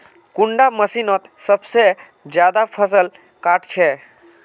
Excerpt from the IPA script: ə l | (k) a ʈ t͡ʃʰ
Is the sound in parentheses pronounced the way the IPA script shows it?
yes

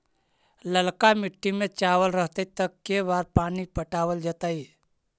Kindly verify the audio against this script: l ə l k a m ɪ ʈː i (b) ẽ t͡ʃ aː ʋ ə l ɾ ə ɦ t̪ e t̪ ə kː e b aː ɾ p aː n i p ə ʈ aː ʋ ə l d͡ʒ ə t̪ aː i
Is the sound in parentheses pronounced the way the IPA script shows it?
no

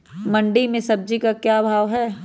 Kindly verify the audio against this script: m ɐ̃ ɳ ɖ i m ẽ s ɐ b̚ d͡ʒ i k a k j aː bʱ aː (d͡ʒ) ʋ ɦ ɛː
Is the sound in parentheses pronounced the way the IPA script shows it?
no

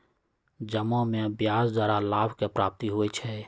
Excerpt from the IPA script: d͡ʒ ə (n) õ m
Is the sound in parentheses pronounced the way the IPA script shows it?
no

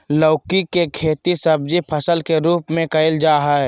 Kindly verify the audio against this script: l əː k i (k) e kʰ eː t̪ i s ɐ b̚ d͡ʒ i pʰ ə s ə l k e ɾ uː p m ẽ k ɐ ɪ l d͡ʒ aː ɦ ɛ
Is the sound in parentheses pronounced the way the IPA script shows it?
yes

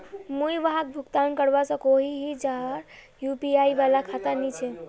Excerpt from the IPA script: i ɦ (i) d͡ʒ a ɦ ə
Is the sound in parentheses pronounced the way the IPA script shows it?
yes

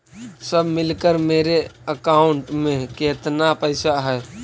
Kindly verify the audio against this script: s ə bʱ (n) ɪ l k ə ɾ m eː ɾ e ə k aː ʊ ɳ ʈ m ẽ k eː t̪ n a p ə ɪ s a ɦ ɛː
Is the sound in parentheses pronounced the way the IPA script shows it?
no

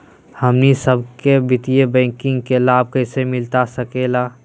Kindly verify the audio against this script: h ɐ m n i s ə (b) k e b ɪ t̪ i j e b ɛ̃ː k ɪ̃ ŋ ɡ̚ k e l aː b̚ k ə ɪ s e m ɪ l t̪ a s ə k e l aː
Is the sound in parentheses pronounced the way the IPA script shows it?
yes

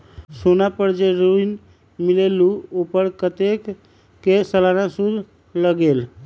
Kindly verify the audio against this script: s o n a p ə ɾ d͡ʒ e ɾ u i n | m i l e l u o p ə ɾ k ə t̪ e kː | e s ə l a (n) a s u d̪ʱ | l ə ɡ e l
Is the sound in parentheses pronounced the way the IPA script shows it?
yes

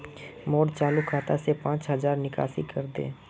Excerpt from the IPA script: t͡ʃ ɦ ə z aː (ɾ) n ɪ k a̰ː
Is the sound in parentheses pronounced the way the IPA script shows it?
yes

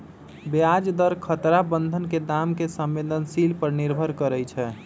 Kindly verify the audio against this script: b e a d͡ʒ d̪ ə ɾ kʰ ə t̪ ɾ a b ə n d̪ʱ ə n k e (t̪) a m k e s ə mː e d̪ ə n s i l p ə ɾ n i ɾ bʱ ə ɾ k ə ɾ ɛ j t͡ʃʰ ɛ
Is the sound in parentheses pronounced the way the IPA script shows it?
no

